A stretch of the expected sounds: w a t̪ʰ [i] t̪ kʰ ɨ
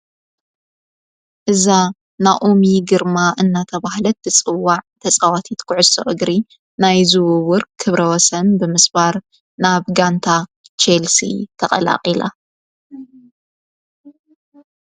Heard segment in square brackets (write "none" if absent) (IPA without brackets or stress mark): i